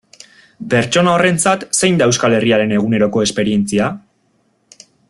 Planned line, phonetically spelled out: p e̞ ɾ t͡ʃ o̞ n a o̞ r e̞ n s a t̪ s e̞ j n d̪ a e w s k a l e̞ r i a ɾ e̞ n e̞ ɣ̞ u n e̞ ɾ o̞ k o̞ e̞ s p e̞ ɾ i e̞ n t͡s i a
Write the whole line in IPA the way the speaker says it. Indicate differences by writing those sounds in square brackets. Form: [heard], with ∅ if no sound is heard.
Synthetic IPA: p e̞ ɾ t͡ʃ o̞ n a o̞ r e̞ n [t͡s] a t̪ s e̞ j n d̪ a e w s k a l e̞ r i a ɾ e̞ n e̞ ɣ̞ u n e̞ ɾ o̞ k o̞ e̞ s p e̞ ɾ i e̞ n t͡s i a